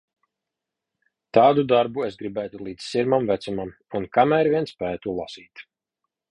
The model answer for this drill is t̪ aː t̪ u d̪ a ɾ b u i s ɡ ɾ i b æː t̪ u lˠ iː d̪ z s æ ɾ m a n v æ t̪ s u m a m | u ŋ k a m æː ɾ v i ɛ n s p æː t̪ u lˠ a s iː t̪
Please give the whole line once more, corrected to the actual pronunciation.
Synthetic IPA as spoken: t̪ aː d̪ u d̪ a ɾ b u e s ɡ ɾ i b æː t̪ u lˠ iː d̪ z s i ɾ m a m v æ t̪ s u m a m | u n k a m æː ɾ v i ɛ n s p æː t̪ u lˠ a s iː t̪